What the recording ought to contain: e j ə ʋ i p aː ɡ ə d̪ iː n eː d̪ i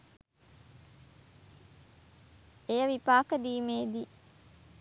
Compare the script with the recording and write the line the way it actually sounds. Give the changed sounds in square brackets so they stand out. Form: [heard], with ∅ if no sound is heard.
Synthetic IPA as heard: e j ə ʋ i p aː [k] ə d̪ iː [m] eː d̪ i